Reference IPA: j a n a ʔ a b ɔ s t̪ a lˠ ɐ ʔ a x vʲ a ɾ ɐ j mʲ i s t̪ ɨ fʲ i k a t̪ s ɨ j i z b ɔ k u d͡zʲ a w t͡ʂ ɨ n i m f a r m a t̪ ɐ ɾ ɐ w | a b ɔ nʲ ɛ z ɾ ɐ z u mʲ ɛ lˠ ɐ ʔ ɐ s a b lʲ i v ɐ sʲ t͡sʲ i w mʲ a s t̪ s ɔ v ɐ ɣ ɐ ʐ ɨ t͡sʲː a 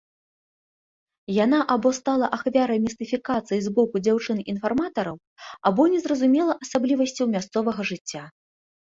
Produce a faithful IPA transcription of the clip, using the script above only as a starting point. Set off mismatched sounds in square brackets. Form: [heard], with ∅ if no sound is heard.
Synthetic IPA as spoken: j a n a ʔ a b ɔ s t̪ a lˠ ɐ ʔ a x vʲ a ɾ ɐ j mʲ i s t̪ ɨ fʲ i k a t̪ s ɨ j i z b ɔ k u d͡zʲ a w t͡ʂ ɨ n i [n] f a r m a t̪ ɐ ɾ ɐ w | a b ɔ nʲ ɛ z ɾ ɐ z u mʲ ɛ lˠ ɐ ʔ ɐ s a b lʲ i v ɐ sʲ t͡sʲ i w mʲ a s t̪ s ɔ v ɐ ɣ ɐ ʐ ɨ t͡sʲː a